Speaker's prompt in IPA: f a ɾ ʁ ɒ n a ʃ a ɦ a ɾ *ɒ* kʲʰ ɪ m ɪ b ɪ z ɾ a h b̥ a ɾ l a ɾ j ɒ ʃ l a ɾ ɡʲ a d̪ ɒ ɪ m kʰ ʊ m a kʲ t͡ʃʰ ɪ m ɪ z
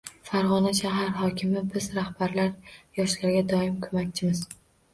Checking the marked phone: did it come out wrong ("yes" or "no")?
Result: no